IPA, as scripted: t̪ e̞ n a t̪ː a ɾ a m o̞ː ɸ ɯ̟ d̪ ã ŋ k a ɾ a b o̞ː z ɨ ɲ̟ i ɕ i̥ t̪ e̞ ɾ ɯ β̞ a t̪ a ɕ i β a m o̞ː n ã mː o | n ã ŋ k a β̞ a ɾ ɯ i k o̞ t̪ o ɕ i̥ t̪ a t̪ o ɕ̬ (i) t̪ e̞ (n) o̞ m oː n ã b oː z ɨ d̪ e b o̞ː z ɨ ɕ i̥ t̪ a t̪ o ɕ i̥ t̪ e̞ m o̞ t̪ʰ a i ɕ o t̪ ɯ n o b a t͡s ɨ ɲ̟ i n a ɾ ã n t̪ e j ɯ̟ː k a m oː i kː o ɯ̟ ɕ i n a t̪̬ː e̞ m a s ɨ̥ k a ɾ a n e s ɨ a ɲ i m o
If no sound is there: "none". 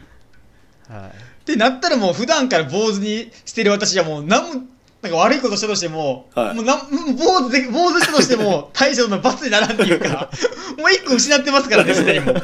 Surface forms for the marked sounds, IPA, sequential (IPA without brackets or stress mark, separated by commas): i, m